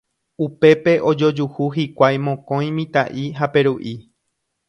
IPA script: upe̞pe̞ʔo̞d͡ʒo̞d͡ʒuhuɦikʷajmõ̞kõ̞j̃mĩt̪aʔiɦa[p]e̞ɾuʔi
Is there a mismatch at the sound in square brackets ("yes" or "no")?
no